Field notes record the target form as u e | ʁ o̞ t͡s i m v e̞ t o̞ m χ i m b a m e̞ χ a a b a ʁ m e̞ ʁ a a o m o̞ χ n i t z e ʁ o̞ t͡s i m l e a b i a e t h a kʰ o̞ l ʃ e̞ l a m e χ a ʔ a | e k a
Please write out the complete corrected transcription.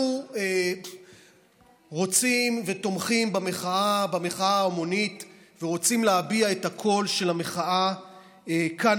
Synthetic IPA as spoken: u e | ʁ o̞ t͡s i m v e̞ t o̞ m χ i m b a m e̞ χ a a b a m e̞ χ a a o m o̞ n i t v e ʁ o̞ t͡s i m l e a b i a e t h a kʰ o̞ l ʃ e̞ l a m e χ a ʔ a | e k a